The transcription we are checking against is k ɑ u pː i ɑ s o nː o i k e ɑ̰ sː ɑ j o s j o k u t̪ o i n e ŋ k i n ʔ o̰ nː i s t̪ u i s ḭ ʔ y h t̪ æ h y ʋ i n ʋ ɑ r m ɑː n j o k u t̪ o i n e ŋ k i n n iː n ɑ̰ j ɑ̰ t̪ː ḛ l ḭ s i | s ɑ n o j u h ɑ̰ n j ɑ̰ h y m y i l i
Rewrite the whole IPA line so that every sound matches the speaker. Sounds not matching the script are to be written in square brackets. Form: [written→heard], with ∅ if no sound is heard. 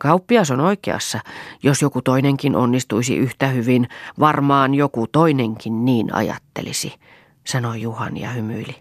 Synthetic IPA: k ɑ u pː i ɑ s o [nː→n] o i k e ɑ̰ sː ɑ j o s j o k u t̪ o i n e ŋ k i n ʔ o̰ nː i s t̪ u i s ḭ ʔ y h t̪ æ h y ʋ i n ʋ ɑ r m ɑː n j o k u t̪ o i n e ŋ k i n n iː n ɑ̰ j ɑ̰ t̪ː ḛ l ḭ s i | s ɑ n o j u h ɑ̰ n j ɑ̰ h y m y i l i